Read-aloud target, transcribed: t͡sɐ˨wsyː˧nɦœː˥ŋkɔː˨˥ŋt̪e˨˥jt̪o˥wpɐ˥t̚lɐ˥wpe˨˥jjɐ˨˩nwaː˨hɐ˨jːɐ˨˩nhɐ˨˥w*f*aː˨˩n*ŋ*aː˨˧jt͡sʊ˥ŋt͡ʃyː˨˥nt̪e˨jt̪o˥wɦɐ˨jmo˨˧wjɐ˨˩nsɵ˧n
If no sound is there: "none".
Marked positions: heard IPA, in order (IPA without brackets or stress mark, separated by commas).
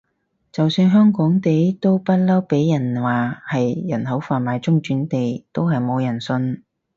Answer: f, m